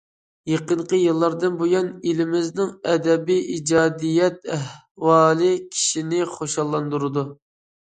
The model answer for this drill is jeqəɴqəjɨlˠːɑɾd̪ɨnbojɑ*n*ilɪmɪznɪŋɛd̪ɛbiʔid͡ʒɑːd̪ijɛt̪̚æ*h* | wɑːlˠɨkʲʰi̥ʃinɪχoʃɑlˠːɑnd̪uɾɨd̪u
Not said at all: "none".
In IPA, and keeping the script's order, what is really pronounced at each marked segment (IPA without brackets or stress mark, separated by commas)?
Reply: n, h